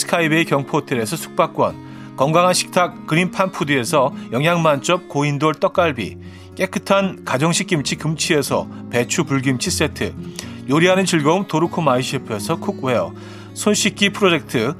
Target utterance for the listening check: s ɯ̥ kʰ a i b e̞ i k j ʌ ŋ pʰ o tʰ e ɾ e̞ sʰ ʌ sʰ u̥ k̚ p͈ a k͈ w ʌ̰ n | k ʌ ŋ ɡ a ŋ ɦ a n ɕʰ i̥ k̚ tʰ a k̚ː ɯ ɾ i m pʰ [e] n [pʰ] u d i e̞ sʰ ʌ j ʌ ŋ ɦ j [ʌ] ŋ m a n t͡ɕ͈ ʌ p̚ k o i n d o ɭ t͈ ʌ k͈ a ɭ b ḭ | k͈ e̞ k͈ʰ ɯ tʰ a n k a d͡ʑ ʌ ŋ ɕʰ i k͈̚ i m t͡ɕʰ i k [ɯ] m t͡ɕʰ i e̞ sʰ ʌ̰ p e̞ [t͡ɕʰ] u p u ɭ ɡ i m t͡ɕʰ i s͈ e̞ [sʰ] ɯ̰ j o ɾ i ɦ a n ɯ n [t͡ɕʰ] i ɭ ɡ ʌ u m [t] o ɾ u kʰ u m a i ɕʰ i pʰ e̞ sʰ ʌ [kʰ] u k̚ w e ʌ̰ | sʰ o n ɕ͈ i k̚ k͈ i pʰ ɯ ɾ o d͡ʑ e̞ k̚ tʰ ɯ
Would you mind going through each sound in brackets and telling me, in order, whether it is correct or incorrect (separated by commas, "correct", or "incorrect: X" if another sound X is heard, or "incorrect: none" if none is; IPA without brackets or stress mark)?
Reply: incorrect: a, correct, incorrect: a, correct, correct, incorrect: tʰ, incorrect: t͡ɕ, correct, correct